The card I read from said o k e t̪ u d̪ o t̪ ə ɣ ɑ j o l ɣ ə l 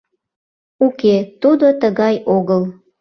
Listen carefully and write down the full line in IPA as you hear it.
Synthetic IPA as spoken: u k e t̪ u d̪ o t̪ ə ɣ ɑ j o ɣ ə l